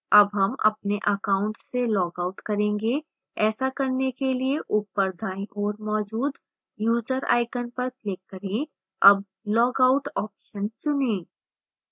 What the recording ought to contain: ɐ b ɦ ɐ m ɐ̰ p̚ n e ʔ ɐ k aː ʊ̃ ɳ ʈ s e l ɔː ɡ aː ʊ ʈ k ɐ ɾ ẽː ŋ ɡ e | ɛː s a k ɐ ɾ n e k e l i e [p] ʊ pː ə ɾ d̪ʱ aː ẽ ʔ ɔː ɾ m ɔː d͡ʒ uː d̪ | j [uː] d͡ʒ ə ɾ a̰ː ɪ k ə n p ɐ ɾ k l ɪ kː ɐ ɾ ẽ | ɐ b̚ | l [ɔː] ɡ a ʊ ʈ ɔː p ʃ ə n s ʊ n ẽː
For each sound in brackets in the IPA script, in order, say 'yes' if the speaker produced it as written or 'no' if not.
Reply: no, yes, yes

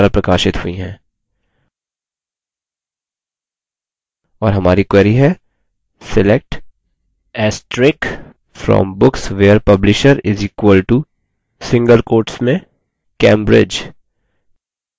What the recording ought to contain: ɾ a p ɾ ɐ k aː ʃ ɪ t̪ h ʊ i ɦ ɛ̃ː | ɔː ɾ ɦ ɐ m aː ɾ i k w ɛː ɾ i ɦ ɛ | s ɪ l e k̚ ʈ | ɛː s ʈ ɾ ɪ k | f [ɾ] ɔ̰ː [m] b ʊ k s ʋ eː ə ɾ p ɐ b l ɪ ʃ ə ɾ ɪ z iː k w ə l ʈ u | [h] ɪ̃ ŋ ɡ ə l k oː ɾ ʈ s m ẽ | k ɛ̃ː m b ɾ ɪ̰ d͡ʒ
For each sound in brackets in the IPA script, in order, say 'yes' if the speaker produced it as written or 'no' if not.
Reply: yes, yes, no

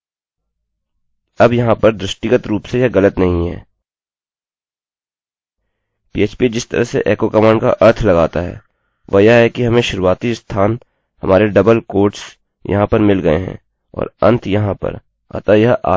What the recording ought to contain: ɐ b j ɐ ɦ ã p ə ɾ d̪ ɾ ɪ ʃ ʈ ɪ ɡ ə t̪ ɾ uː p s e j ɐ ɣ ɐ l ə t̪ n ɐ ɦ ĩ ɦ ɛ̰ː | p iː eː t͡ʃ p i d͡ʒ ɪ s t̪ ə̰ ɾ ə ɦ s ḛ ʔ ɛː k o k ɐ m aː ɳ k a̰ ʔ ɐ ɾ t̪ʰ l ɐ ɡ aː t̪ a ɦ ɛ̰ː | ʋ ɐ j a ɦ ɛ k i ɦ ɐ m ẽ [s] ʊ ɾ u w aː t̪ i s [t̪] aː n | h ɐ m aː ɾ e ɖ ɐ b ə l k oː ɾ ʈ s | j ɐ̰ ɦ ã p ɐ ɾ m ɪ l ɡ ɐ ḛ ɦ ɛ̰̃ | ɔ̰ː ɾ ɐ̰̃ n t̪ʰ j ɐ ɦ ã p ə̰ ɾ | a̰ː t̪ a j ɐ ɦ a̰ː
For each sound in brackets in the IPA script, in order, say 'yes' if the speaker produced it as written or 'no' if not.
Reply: no, no

